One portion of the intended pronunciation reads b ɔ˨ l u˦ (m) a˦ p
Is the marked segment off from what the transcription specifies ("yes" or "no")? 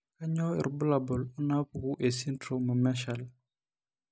yes